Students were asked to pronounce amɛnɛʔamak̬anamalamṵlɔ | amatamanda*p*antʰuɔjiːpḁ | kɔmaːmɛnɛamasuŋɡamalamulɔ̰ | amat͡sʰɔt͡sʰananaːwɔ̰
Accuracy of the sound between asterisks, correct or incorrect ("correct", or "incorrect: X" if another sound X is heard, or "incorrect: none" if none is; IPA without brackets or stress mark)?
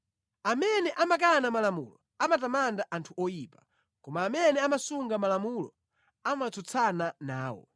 incorrect: ʔ